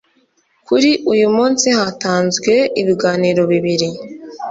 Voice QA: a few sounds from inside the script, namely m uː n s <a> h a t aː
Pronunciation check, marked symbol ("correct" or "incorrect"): incorrect